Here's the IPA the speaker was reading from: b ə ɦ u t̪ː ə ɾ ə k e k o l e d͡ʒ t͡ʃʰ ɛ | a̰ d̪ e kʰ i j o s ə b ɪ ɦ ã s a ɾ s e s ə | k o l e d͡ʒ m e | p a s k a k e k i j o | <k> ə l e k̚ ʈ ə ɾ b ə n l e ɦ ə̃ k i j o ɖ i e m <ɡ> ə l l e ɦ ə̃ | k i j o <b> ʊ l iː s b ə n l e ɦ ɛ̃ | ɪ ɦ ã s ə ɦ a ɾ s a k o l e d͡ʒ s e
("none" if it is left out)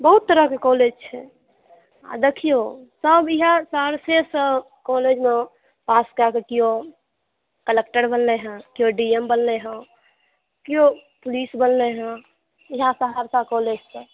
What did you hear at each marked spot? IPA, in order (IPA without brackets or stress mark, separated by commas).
k, b, p